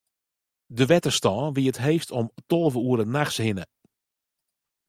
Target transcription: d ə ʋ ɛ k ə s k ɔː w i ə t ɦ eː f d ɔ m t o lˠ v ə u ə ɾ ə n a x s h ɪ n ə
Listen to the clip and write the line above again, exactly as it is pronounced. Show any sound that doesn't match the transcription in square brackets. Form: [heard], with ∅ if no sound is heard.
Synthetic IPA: d ə ʋ ɛ [t] ə s [t] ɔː [ʋ] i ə t ɦ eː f [t] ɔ m t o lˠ v ə u ə ɾ ə n a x s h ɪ n ə